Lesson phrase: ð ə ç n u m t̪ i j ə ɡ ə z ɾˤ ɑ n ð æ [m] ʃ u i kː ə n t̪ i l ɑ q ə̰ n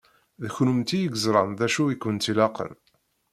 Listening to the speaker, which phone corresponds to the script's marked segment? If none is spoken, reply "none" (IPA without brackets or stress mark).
none